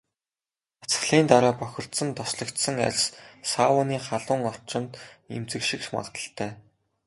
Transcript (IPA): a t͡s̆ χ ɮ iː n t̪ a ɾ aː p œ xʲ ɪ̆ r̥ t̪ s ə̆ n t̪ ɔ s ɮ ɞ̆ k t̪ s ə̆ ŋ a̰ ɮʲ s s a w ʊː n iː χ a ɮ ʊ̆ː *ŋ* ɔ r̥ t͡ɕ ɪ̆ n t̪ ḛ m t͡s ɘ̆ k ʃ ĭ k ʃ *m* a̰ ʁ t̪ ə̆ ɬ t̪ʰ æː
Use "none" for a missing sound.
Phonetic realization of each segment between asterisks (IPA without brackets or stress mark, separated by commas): ŋ, m